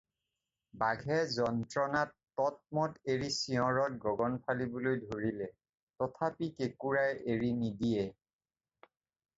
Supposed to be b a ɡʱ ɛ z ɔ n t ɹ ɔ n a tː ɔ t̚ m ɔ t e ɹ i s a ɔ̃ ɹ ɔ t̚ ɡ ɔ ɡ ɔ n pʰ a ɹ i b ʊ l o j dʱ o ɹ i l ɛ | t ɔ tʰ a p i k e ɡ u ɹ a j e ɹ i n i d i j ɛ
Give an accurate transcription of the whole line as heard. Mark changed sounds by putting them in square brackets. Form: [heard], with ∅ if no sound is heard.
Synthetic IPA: b a ɡʱ ɛ z ɔ n t ɹ ɔ n a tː ɔ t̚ m ɔ t e ɹ i s [i] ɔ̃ ɹ ɔ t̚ ɡ ɔ ɡ ɔ n pʰ a [l] i b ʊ l o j dʱ o ɹ i l ɛ | t ɔ tʰ a p i k e [k] u ɹ a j e ɹ i n i d i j ɛ